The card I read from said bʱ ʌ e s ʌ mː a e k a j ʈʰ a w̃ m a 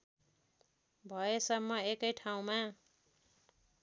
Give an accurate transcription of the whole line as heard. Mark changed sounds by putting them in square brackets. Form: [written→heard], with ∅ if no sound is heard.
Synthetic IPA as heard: bʱ ʌ e s ʌ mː [a→ʌ] e k [a→ʌ] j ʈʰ a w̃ m a